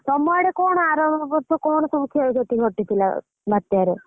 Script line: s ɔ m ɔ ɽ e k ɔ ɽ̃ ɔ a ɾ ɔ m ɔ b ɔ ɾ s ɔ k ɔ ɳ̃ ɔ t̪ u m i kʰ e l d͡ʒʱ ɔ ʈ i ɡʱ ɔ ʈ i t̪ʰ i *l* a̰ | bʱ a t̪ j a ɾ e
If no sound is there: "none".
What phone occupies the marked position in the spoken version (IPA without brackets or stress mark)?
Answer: l